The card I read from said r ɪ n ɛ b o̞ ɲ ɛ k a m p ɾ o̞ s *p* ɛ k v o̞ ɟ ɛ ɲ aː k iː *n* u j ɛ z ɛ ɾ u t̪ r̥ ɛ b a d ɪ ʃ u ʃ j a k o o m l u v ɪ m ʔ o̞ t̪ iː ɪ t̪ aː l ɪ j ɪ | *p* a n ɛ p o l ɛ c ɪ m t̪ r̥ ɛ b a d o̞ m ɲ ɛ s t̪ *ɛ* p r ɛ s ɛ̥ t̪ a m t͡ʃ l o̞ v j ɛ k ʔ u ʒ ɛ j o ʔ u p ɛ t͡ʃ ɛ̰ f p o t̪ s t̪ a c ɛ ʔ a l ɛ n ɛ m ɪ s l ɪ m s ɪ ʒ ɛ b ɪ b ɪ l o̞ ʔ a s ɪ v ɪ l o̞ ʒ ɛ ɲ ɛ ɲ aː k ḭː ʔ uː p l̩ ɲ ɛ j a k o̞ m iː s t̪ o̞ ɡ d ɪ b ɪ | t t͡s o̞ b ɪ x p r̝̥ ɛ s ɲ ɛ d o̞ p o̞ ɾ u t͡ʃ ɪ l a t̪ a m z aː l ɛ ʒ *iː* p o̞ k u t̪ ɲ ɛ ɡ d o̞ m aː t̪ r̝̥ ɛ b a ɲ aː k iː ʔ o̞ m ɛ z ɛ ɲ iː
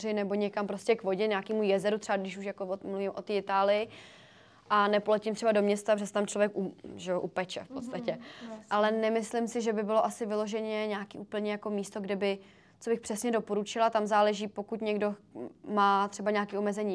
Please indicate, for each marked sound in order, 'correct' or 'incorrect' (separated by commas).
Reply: incorrect, incorrect, incorrect, incorrect, correct